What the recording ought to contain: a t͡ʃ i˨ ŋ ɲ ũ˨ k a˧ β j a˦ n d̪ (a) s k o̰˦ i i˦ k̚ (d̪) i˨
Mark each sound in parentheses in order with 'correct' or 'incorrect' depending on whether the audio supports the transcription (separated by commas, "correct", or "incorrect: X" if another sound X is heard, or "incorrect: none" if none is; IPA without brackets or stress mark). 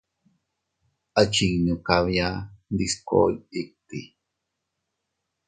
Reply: incorrect: i, incorrect: t̪